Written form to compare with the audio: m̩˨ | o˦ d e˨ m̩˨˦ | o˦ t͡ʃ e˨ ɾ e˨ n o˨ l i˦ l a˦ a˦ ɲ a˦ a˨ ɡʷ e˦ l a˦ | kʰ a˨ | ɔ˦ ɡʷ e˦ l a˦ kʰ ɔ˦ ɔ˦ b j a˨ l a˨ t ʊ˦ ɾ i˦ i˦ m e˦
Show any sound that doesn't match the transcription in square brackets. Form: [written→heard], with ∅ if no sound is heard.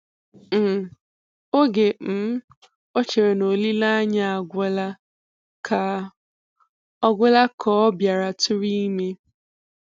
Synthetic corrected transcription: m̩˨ | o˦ [d→ɡ] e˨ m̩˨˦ | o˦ t͡ʃ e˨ ɾ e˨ n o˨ l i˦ l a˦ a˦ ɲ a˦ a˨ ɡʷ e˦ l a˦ | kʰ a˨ | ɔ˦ ɡʷ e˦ l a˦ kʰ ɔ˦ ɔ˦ b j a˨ [l→ɾ] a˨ t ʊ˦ ɾ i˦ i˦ m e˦

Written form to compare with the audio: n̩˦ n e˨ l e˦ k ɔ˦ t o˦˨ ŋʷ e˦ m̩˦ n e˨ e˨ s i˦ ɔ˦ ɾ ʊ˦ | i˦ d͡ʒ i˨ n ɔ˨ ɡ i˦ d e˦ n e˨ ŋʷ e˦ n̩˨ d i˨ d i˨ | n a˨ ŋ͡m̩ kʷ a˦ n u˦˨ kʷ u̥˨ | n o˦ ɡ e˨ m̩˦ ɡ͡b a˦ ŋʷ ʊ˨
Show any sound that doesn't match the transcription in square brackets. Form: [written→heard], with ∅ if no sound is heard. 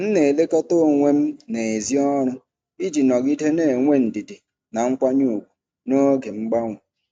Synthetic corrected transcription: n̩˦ n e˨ l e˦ k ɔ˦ t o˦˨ ŋʷ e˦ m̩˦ n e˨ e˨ [s→z] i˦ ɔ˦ ɾ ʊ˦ | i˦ d͡ʒ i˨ n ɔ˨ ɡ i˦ d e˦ n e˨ ŋʷ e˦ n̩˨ d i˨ d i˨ | n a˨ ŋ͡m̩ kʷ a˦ [n→ɲ] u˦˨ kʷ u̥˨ | n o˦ ɡ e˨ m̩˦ ɡ͡b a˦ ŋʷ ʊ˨

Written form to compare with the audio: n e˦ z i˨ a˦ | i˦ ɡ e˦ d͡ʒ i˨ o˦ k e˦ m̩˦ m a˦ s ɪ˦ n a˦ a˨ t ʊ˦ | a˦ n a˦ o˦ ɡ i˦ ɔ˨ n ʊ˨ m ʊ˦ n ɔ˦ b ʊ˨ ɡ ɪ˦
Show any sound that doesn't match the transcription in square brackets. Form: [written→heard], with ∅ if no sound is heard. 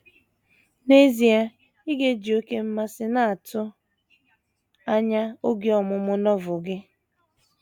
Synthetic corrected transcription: n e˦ z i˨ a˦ | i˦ ɡ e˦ d͡ʒ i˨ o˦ k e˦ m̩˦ m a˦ s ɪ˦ n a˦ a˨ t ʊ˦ | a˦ [n→ɲ] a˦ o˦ ɡ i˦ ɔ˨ [n→m] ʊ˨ m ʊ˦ n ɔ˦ [b→v] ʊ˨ ɡ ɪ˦

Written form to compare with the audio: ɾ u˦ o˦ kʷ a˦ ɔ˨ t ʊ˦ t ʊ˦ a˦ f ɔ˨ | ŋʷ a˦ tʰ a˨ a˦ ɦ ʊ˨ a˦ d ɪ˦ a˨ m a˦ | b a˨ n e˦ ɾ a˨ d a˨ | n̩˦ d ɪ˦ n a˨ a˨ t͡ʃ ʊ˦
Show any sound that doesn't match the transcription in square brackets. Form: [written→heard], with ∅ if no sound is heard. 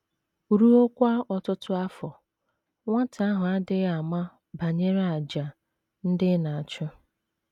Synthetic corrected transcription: ɾ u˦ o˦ kʷ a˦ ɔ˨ t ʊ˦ t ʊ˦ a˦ f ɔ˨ | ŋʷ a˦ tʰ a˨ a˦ ɦ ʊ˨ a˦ d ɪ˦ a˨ m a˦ | b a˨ [n→ɲ] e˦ ɾ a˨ [d→d͡ʒ] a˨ | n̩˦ d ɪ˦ n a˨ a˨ t͡ʃ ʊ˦

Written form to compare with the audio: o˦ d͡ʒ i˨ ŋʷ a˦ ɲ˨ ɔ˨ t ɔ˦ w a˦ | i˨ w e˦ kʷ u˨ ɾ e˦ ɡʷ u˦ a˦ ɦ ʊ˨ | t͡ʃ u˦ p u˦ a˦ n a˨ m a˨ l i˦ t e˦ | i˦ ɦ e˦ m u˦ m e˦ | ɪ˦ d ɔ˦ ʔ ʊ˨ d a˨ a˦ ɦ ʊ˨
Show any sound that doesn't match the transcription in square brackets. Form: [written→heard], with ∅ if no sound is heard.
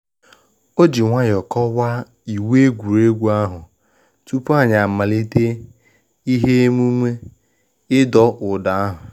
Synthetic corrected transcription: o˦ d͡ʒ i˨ ŋʷ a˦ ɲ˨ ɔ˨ [t→k] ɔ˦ w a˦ | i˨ w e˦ [kʷ→ɡʷ] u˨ ɾ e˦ ɡʷ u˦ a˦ ɦ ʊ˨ | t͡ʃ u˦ p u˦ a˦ [n→ɲ] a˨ m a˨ l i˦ t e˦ | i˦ ɦ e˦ m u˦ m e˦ | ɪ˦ d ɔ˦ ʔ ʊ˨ d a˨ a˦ ɦ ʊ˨

